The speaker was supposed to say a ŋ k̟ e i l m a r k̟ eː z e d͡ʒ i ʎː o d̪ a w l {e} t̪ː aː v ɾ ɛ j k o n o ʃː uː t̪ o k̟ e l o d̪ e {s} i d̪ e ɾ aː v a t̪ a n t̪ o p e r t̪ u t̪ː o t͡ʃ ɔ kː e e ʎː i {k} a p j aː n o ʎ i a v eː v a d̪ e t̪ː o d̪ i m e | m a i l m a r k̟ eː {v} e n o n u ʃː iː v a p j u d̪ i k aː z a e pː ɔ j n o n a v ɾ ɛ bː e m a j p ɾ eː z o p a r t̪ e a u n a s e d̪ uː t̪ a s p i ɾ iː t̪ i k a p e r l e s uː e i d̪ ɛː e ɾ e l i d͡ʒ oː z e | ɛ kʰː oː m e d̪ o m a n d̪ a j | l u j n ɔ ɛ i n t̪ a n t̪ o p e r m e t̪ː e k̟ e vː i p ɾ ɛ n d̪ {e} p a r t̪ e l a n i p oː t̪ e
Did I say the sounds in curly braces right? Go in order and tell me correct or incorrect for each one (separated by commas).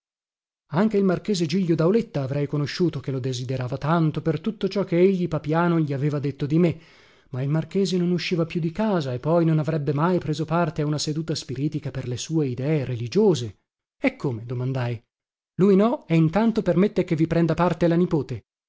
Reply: correct, incorrect, incorrect, incorrect, incorrect